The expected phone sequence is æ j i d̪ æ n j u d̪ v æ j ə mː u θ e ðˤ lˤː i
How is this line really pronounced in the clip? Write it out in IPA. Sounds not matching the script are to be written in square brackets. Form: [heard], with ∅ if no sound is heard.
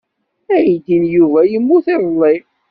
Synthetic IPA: æ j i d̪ [i] n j u [∅] v æ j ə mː u θ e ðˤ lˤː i